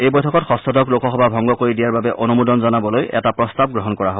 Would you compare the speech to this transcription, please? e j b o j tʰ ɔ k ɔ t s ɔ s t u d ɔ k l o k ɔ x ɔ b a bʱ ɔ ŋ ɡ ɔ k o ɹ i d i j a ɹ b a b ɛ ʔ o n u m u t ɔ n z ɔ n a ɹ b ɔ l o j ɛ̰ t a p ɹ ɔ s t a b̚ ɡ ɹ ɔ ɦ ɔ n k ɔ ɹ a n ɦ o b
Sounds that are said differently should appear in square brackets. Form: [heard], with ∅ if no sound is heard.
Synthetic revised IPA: e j b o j tʰ ɔ k ɔ t [x] ɔ s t [ɔ] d ɔ k l o k ɔ x ɔ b a bʱ ɔ ŋ ɡ ɔ k o ɹ i d i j a ɹ b a b ɛ ʔ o n u m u [d] ɔ n z ɔ n a [∅] b ɔ l o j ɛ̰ t a p ɹ ɔ s t a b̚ ɡ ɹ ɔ ɦ ɔ n k ɔ ɹ a [∅] ɦ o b